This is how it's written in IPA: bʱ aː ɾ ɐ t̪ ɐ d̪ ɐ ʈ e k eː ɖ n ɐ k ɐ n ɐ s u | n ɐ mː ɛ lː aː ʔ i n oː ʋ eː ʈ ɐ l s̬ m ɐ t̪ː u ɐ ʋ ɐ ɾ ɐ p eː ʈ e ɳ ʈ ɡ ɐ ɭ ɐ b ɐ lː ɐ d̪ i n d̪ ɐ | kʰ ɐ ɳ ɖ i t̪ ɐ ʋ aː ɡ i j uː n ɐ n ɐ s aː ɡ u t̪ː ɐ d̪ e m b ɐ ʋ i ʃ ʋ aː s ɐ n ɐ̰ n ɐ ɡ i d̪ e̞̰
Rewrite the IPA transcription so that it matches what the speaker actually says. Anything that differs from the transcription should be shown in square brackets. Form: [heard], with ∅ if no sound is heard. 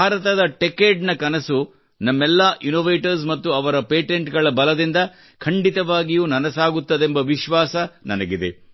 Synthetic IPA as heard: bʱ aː ɾ ɐ t̪ ɐ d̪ ɐ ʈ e k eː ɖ n ɐ k ɐ n ɐ s u | n ɐ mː ɛ lː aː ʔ i n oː ʋ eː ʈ ɐ [ɾ] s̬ m ɐ t̪ː u ɐ ʋ ɐ ɾ ɐ p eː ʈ e ɳ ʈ ɡ ɐ ɭ ɐ b ɐ [l] ɐ d̪ i n d̪ ɐ | kʰ ɐ ɳ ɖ i t̪ ɐ ʋ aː ɡ i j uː n ɐ n ɐ s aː ɡ u t̪ː ɐ d̪ e m b ɐ ʋ i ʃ ʋ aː s ɐ n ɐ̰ n ɐ ɡ i d̪ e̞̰